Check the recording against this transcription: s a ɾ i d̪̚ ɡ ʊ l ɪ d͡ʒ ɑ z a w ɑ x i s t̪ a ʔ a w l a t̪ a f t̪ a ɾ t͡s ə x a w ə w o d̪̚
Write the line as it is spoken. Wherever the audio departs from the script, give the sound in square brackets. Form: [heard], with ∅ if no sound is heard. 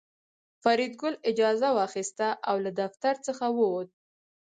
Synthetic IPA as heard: [f] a ɾ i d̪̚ ɡ ʊ l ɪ d͡ʒ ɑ z a w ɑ x i s t̪ a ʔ a w l a [d̪] a f t̪ a ɾ t͡s ə x a w ə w o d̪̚